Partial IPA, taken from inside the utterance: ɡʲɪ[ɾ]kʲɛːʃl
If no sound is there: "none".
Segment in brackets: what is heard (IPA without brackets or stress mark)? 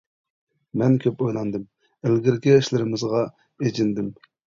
ɾ